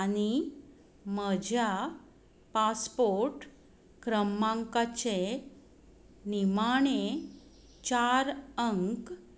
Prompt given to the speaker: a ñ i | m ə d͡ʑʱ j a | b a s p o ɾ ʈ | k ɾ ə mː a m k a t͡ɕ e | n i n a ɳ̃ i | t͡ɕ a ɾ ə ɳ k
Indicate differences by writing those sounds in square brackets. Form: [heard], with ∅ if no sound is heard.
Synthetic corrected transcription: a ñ i | m ə d͡ʑʱ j a | [p] a s p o ɾ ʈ | k ɾ ə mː a [ŋ] k a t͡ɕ e | n i [m] a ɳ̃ [e] | t͡ɕ a ɾ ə [ŋ] k